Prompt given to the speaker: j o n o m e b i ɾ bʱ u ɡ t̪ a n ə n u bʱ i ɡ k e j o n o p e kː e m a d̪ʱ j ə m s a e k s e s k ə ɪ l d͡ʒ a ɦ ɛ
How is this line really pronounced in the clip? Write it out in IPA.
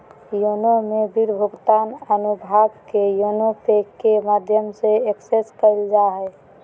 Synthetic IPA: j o n o m e b i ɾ bʱ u ɡ t̪ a n ə n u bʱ a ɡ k e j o n o p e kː e m a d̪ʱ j ə m s e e k s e s k ə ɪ l d͡ʒ a ɦ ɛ